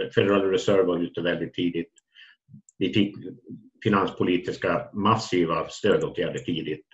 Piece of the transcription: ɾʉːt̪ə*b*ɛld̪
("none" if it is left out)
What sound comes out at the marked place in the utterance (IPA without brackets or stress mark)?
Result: v